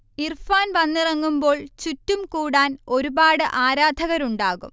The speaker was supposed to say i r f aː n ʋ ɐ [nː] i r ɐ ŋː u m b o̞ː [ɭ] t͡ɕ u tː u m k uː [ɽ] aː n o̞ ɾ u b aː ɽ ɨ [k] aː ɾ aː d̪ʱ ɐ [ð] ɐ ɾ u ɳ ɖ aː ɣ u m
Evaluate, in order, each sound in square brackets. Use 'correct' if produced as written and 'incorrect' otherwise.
correct, correct, correct, incorrect: ʔ, incorrect: ɣ

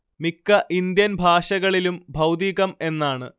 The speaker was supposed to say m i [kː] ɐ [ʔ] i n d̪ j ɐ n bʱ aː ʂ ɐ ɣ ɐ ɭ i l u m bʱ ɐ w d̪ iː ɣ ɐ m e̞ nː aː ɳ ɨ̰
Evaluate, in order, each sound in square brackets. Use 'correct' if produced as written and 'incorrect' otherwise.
correct, correct

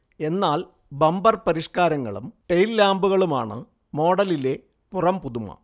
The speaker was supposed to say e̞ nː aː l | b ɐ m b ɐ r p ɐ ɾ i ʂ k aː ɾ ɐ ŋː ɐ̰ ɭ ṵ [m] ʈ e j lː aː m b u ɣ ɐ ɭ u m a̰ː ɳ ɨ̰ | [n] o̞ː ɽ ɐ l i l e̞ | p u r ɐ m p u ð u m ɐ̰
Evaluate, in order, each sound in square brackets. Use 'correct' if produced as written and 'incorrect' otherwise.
correct, incorrect: m

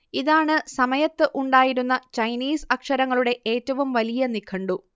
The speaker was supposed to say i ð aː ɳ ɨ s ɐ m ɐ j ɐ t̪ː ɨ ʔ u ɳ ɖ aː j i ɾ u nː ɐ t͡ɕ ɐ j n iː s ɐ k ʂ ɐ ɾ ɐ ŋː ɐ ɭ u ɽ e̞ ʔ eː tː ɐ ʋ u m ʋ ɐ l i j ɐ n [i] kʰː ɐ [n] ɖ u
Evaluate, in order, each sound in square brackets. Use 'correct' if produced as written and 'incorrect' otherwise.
correct, incorrect: ɳ

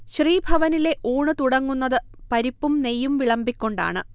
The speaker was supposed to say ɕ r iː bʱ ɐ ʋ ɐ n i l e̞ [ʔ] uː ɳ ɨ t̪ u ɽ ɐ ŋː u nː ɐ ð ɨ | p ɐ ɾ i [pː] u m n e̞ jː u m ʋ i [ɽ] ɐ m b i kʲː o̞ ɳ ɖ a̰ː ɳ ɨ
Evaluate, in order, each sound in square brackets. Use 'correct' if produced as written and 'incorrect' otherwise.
correct, correct, incorrect: ɭ

